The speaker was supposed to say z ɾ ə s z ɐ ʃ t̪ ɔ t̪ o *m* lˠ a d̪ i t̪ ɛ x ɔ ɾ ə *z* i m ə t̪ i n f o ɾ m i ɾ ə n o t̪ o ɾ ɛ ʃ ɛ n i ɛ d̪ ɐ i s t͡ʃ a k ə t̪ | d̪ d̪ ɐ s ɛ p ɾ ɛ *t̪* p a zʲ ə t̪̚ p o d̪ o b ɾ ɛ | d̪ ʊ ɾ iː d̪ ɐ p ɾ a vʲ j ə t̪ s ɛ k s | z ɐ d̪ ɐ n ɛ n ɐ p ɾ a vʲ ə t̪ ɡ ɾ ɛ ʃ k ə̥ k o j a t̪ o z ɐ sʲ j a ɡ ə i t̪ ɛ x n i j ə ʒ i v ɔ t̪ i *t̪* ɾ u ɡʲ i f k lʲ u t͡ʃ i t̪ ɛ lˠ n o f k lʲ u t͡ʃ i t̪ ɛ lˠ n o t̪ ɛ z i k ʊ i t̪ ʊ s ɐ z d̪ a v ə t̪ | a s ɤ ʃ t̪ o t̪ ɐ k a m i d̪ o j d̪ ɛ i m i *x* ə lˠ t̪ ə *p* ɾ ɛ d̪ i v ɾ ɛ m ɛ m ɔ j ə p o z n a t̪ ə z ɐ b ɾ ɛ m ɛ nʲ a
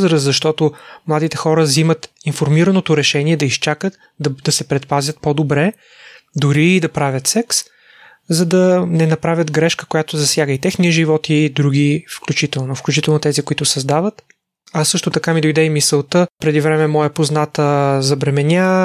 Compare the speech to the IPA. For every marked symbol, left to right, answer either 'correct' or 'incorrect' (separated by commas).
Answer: correct, correct, correct, incorrect, incorrect, correct